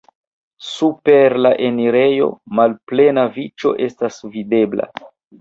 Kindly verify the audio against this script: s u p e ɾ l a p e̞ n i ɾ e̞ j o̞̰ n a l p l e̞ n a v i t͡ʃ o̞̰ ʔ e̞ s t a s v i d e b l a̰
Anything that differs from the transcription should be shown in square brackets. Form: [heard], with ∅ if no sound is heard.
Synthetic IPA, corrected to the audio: s u p e ɾ l a [ʔ] e̞ n i ɾ e̞ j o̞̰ [m] a l p l e̞ n a v i t͡ʃ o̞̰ ʔ e̞ s t a s v i d e b l a̰